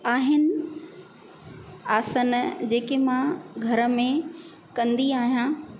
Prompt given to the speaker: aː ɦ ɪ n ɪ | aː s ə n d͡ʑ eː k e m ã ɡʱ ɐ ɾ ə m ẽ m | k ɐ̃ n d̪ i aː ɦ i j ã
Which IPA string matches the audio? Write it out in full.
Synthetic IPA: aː ɦ ɪ n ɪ | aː s ə n d͡ʑ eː k e m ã ɡʱ ɐ ɾ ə m ẽ | k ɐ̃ n d̪ i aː ɦ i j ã